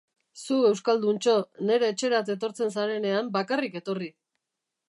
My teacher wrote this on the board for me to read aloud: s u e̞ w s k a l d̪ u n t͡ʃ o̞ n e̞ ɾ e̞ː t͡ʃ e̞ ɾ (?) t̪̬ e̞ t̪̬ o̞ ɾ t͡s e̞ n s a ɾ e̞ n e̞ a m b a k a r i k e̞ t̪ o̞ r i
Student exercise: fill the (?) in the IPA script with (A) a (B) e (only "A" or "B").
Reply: A